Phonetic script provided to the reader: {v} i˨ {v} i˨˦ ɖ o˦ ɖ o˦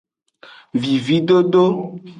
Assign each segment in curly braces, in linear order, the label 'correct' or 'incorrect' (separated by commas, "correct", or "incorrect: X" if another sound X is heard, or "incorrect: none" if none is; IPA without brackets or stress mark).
correct, correct